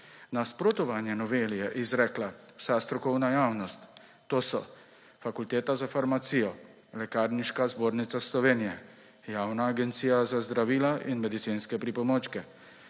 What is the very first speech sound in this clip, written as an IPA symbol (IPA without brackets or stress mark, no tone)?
n